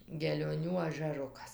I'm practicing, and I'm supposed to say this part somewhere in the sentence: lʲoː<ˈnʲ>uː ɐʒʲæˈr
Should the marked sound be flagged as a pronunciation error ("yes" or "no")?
no